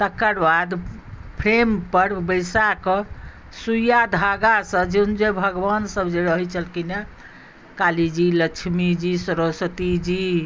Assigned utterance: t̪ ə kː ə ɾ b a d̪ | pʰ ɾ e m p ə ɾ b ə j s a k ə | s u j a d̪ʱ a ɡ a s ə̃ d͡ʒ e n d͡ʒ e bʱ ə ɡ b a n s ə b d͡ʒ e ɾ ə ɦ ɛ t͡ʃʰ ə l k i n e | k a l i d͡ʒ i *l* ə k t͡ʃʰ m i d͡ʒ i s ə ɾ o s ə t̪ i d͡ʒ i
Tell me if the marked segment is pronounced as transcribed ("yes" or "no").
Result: yes